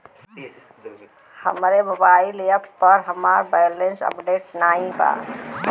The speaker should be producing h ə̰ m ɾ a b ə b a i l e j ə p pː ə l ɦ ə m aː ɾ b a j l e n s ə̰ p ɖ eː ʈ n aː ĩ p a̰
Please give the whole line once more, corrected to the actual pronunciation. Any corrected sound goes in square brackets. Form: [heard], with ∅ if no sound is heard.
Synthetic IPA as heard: h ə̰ m ɾ [e] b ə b a i l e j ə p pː ə [ɾ] ɦ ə m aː ɾ b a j l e n s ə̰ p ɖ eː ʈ n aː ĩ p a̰